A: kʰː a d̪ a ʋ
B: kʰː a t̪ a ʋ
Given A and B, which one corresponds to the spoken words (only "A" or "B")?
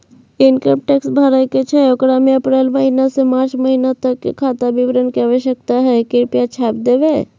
B